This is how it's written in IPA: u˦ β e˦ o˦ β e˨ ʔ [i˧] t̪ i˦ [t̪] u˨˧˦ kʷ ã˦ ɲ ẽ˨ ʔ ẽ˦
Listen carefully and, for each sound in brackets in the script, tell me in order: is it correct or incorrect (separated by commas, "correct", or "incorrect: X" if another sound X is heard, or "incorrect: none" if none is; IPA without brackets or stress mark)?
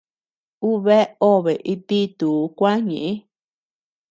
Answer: correct, correct